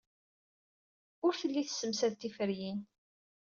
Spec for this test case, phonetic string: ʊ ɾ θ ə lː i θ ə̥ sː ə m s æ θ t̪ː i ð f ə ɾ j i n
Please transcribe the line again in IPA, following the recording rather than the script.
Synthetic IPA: ʊ ɾ θ ə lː i θ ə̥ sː ə m s æ ð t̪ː i f ə ɾ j i n